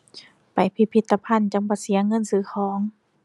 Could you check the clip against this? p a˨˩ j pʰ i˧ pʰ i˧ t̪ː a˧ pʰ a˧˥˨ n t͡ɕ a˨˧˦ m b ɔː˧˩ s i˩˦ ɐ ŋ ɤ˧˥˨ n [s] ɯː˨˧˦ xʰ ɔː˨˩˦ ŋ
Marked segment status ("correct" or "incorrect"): correct